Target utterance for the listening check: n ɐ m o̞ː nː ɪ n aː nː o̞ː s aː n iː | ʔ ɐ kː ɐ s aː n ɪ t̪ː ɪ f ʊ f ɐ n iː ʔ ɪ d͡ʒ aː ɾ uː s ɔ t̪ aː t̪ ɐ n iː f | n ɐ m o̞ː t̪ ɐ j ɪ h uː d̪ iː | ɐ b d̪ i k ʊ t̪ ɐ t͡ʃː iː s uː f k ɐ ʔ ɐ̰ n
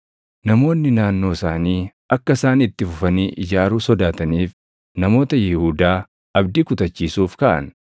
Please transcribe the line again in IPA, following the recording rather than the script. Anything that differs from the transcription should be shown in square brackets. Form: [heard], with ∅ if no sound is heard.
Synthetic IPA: n ɐ m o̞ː nː ɪ n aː nː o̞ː s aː n iː | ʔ ɐ kː ɐ s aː n ɪ t̪ː ɪ f ʊ f ɐ n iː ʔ ɪ d͡ʒ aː ɾ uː s ɔ [d̪] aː t̪ ɐ n iː f | n ɐ m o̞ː t̪ ɐ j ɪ h uː d̪ [aː] | ɐ b d̪ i k ʊ t̪ ɐ t͡ʃː iː s uː f k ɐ ʔ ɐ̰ n

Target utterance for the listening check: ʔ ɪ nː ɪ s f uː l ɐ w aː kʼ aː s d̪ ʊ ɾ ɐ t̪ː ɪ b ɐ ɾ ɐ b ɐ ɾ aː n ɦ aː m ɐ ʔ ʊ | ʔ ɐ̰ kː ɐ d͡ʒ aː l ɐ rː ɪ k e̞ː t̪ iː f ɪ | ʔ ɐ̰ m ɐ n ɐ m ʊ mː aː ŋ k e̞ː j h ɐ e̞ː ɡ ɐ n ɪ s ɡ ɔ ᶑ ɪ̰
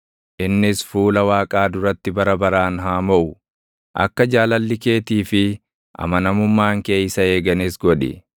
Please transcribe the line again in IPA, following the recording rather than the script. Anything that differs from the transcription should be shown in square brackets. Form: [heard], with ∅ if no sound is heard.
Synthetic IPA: ʔ ɪ nː ɪ s f uː l ɐ w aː kʼ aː [∅] d̪ ʊ ɾ ɐ t̪ː ɪ b ɐ ɾ ɐ b ɐ ɾ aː n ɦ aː m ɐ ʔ ʊ | ʔ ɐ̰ kː ɐ d͡ʒ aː l ɐ [lː] ɪ k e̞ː t̪ iː f ɪ | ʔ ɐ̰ m ɐ n ɐ m ʊ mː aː ŋ k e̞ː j [s] ɐ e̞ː ɡ ɐ n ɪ s ɡ ɔ ᶑ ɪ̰

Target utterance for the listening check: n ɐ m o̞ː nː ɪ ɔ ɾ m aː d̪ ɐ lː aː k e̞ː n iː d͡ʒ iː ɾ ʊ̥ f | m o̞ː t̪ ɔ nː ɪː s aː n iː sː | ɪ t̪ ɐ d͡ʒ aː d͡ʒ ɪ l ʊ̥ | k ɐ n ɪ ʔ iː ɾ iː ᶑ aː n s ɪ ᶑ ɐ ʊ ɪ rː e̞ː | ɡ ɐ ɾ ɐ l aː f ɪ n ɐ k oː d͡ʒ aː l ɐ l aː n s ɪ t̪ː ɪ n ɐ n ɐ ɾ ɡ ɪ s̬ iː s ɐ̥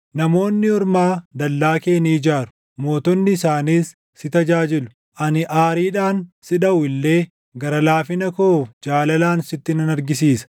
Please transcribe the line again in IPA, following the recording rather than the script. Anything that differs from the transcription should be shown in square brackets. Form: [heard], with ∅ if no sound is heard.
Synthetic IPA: n ɐ m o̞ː nː ɪ ɔ ɾ m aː d̪ ɐ lː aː k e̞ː n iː d͡ʒ [aː] ɾ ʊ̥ [∅] | m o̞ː t̪ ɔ nː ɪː s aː n iː sː | ɪ t̪ ɐ d͡ʒ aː d͡ʒ ɪ l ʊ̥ | [ʔ] ɐ n ɪ ʔ [aː] ɾ iː ᶑ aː n s ɪ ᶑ ɐ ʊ ɪ [lː] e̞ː | ɡ ɐ ɾ ɐ l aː f ɪ n ɐ k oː d͡ʒ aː l ɐ l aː n s ɪ t̪ː ɪ n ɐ n ɐ ɾ ɡ ɪ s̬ iː s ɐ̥

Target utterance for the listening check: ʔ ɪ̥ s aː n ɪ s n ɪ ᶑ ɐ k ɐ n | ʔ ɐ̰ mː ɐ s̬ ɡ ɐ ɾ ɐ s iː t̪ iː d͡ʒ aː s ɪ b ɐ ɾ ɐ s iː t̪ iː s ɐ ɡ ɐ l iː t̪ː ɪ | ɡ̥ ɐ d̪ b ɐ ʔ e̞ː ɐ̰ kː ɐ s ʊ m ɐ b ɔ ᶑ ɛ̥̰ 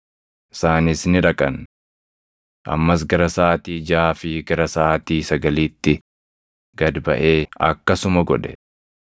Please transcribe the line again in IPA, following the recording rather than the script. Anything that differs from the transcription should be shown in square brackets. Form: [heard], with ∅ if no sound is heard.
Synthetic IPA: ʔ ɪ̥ s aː n ɪ s n ɪ ᶑ ɐ [kʼ] ɐ n | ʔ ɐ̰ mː ɐ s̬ ɡ ɐ ɾ ɐ s [aː] t̪ iː d͡ʒ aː [f] ɪ [ɡ] ɐ ɾ ɐ s [aː] t̪ iː s ɐ ɡ ɐ l iː t̪ː ɪ | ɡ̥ ɐ d̪ b ɐ ʔ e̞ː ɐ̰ kː ɐ s ʊ m ɐ [ɡ] ɔ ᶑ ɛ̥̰

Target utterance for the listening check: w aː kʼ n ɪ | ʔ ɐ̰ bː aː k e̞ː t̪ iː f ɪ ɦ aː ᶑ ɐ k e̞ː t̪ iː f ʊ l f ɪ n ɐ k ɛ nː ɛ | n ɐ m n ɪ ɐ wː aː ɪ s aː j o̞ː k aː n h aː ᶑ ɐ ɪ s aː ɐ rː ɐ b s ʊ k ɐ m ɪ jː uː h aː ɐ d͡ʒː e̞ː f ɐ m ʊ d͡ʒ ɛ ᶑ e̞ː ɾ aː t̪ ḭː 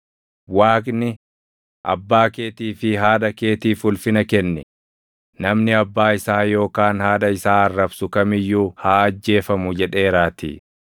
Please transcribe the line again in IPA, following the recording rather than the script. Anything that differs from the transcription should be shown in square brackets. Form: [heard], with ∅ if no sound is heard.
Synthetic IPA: w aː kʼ n ɪ | ʔ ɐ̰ bː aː k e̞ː t̪ iː f ɪ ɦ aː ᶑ ɐ k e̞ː t̪ iː f ʊ l f ɪ n ɐ k ɛ nː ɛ | n ɐ m n ɪ ɐ [bː] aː ɪ s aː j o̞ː k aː n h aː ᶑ ɐ ɪ s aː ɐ rː ɐ b s ʊ k ɐ m ɪ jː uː h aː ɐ d͡ʒː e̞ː f ɐ m ʊ d͡ʒ ɛ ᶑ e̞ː ɾ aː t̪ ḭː

